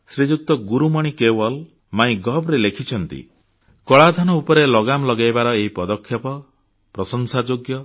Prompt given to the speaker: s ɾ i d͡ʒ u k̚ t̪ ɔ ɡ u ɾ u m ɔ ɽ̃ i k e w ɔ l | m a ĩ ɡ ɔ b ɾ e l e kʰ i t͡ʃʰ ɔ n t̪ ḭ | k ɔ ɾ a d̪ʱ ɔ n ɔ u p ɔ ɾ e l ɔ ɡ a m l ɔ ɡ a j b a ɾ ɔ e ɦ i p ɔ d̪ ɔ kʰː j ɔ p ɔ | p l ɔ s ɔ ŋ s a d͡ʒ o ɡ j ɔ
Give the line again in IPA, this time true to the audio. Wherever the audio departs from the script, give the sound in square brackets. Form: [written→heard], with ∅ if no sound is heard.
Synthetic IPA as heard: s ɾ i d͡ʒ u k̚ t̪ ɔ ɡ u ɾ u m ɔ ɽ̃ i k e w ɔ l | m a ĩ ɡ ɔ b ɾ e l e kʰ i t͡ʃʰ ɔ n t̪ ḭ | k ɔ [ɾ→ɭ] a d̪ʱ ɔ n ɔ u p ɔ ɾ e l ɔ ɡ a m l ɔ ɡ a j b a ɾ ɔ e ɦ i p ɔ d̪ ɔ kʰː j ɔ p ɔ | p [l→ɾ] ɔ s ɔ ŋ s a d͡ʒ o ɡ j ɔ